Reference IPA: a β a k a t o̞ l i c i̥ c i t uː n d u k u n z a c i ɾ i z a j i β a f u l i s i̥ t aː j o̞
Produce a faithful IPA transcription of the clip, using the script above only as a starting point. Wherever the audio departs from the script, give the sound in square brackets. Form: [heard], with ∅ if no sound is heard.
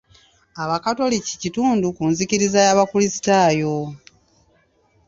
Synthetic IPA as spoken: a β a k a t o̞ l i c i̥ c i t uː n d u k u n z [i] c i ɾ i z a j [a] β a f u l i s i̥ t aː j o̞